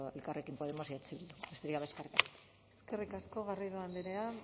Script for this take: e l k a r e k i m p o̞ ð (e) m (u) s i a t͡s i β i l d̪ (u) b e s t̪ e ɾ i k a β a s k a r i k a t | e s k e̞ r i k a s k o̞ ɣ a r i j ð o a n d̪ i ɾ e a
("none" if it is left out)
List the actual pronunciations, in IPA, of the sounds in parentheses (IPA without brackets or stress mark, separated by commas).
e, o, u